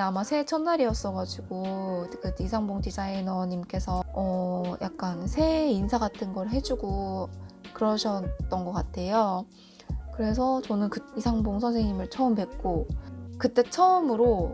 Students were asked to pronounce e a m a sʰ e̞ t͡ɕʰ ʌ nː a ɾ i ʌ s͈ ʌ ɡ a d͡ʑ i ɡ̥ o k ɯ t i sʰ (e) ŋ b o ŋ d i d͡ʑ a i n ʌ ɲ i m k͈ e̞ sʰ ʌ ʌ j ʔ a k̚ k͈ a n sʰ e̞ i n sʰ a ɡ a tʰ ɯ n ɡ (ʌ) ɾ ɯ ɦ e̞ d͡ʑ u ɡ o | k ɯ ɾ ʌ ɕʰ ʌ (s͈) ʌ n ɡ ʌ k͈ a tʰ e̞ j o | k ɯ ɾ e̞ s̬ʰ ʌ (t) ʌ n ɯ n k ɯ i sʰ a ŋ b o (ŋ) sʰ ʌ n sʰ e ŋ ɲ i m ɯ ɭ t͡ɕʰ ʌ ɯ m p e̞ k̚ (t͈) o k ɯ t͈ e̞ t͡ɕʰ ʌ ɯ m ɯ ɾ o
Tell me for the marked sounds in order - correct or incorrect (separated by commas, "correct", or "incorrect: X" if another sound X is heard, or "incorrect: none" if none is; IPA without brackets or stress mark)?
incorrect: a, correct, incorrect: t͈, incorrect: t͡ɕ, correct, incorrect: k͈